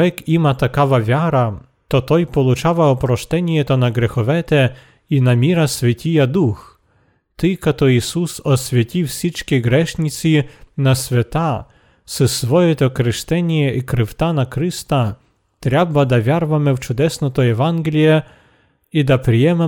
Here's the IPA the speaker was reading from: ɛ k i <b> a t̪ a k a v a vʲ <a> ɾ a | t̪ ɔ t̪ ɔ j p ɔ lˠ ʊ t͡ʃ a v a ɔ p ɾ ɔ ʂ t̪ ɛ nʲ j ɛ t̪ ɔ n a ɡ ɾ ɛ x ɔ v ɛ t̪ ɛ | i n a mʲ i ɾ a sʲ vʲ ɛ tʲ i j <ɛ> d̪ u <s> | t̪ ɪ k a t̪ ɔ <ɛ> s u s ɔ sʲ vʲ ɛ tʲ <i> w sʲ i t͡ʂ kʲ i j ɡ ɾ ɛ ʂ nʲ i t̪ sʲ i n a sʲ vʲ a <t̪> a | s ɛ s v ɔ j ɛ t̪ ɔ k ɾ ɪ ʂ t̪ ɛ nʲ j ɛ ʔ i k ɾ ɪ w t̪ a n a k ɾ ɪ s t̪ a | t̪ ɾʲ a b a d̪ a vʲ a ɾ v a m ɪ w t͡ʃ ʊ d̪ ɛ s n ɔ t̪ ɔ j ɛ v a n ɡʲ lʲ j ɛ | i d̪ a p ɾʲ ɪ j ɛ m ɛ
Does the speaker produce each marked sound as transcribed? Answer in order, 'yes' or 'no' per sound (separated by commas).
no, yes, no, no, no, yes, yes